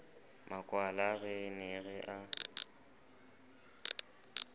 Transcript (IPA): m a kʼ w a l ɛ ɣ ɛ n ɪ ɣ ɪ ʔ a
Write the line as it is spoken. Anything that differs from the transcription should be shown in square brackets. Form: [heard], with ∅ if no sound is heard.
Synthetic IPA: m a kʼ w a l [a] ɣ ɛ n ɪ ɣ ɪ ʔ a